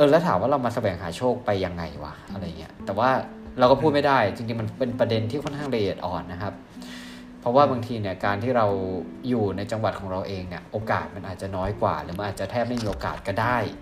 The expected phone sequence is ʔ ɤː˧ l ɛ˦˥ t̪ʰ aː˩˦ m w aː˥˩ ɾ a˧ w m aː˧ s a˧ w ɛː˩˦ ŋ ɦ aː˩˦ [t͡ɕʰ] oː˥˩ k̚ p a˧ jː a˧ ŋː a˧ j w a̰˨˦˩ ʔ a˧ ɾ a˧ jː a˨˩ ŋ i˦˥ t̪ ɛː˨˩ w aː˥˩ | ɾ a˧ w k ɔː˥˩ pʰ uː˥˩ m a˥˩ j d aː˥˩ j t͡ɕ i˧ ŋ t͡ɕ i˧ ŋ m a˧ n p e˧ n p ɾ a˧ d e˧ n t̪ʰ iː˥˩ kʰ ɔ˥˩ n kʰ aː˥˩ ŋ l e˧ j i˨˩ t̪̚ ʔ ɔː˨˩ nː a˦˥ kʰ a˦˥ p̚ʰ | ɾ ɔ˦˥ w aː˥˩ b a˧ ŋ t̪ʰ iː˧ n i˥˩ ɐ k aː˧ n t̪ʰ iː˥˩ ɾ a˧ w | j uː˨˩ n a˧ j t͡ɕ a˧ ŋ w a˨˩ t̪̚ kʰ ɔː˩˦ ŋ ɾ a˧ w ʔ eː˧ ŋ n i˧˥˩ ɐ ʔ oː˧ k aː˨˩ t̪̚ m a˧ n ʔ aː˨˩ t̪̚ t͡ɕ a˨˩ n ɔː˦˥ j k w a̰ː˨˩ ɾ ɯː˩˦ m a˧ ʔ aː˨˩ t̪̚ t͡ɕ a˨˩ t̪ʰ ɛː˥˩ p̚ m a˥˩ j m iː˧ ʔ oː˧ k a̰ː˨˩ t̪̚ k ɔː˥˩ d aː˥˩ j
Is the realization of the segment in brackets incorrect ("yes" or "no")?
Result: no